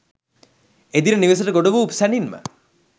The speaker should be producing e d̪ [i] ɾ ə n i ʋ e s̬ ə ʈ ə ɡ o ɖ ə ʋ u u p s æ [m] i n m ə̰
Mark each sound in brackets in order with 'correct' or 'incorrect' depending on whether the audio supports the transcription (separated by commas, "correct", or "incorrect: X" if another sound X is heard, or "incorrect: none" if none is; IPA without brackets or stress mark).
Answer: correct, incorrect: n